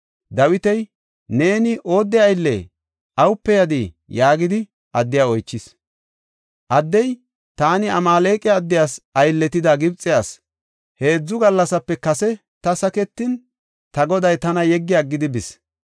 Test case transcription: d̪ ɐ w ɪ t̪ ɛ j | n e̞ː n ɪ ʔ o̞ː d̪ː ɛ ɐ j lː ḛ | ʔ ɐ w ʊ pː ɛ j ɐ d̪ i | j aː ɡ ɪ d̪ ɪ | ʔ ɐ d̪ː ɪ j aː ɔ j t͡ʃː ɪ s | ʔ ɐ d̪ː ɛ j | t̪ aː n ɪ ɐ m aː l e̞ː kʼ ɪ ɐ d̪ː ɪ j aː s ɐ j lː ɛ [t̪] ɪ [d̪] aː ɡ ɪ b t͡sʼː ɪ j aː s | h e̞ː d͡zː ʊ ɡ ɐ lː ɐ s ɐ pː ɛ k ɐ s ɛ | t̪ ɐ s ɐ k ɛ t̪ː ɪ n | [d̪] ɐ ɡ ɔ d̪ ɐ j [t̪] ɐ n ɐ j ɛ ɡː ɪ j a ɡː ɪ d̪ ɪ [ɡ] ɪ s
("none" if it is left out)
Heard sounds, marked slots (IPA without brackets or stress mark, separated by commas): t̪, d̪, t̪, t̪, b